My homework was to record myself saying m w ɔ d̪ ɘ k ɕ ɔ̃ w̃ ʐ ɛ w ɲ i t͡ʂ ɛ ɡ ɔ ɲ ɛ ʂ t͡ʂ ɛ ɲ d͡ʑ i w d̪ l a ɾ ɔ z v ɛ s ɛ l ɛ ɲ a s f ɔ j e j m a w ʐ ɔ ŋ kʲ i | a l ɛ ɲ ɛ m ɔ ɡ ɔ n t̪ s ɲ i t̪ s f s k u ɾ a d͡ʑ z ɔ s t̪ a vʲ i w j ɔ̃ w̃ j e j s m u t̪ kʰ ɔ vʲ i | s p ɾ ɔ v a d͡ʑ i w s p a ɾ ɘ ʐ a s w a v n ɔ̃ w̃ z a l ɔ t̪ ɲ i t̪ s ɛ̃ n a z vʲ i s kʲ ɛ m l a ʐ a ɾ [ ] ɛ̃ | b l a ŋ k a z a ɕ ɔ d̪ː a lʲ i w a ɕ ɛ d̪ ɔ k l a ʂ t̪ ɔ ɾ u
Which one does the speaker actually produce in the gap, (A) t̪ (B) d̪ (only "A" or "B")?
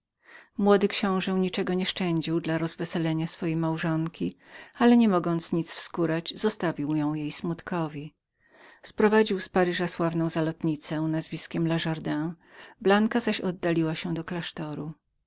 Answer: B